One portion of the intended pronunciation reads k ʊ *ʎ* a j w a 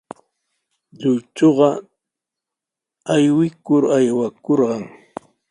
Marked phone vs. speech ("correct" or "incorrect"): incorrect